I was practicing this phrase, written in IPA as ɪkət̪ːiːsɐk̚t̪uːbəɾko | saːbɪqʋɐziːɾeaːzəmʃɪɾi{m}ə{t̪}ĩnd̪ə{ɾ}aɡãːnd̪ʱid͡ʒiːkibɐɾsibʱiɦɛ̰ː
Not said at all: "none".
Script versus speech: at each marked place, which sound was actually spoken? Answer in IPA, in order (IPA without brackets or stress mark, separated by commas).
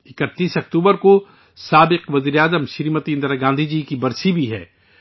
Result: m, t̪, ɾ